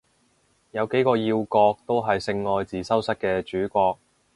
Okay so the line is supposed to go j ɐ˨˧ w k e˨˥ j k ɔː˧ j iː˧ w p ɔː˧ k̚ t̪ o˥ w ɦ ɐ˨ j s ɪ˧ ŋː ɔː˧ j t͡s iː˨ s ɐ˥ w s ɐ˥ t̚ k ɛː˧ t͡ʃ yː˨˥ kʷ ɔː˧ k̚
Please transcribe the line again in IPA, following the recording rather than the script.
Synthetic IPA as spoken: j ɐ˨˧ w k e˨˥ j k ɔː˧ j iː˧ w k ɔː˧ k̚ t̪ o˥ w ɦ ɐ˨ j s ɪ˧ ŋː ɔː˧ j t͡s iː˨ s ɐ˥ w s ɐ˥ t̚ k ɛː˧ t͡ʃ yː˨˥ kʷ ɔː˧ k̚